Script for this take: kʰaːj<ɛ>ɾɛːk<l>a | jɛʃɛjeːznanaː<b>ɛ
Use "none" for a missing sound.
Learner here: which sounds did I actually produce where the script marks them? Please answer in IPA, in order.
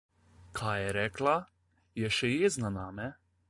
ɛ, l, m

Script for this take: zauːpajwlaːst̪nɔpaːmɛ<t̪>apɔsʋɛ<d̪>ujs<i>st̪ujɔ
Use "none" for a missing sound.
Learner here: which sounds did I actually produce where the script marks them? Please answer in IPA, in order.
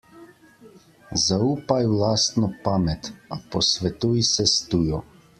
t̪, t̪, ɛ

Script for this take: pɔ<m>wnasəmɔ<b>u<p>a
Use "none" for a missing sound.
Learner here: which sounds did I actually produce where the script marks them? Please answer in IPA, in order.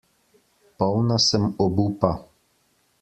none, b, p

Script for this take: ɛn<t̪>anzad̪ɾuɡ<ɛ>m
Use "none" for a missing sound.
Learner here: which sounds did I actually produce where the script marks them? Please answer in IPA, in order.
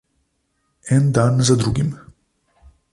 d̪, i

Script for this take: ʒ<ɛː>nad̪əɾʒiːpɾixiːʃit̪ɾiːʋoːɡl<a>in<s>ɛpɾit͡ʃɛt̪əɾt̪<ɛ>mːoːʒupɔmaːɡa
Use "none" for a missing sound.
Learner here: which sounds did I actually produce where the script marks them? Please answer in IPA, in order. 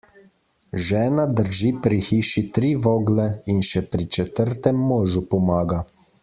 ɛː, ɛ, ʃ, ɛ

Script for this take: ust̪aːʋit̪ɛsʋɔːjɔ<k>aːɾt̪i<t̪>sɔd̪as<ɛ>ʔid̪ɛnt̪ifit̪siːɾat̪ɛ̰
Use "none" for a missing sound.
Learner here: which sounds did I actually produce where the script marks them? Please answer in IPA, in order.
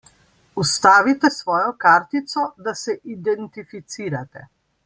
k, t̪, ɛ

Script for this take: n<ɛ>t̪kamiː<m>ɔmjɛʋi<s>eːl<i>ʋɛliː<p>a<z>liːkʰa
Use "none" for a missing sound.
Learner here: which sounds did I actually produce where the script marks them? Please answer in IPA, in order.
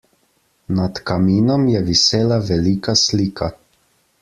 a, n, s, a, k, s

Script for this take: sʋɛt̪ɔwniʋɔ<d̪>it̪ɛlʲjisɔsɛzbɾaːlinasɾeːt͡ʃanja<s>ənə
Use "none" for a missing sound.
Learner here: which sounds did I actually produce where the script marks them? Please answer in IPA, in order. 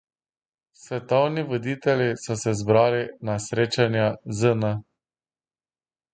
d̪, z

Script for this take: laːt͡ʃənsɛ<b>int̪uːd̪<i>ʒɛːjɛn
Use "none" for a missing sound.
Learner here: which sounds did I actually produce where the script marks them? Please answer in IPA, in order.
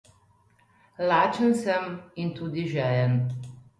m, i

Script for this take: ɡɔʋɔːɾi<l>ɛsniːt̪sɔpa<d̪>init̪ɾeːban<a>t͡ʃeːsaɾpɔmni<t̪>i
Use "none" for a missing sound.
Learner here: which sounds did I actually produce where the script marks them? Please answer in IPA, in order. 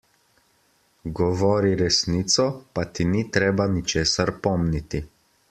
ɾ, t̪, i, t̪

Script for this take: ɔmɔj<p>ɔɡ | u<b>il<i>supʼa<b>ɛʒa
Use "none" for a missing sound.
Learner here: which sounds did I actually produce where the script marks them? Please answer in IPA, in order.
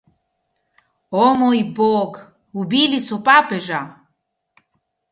b, b, i, p

